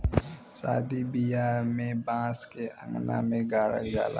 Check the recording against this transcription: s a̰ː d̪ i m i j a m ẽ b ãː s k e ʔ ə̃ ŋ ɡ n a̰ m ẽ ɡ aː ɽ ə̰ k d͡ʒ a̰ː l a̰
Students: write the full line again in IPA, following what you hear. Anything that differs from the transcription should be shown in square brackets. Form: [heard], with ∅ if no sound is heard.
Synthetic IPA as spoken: s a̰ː d̪ i [b] i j a m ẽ b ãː s k e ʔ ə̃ ŋ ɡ n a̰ m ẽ ɡ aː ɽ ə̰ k d͡ʒ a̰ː l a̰